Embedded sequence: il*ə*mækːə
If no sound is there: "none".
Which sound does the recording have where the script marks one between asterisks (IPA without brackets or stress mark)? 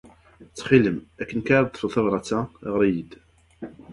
ə